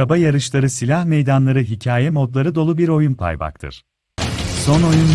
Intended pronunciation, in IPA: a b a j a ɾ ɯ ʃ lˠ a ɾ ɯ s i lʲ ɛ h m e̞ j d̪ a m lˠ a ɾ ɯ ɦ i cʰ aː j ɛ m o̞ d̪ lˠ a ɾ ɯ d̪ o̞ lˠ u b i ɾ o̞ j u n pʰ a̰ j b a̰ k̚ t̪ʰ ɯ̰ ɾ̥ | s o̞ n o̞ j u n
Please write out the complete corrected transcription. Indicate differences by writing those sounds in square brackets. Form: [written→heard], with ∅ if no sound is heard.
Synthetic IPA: a b a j a ɾ ɯ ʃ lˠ a ɾ ɯ s i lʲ [ɛ→a] h m e̞ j d̪ a [m→n] lˠ a ɾ ɯ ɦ i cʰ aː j ɛ m o̞ d̪ lˠ a ɾ ɯ d̪ o̞ lˠ u b i ɾ o̞ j u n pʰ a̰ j b a̰ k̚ t̪ʰ ɯ̰ ɾ̥ | s o̞ n o̞ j u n